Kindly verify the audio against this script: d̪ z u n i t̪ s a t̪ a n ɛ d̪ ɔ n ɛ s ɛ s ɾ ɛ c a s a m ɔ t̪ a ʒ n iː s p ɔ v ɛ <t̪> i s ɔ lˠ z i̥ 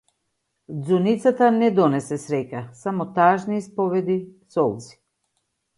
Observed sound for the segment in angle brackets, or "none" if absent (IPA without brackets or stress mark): d̪